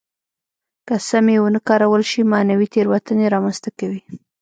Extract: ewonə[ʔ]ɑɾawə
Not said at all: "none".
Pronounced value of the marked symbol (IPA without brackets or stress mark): k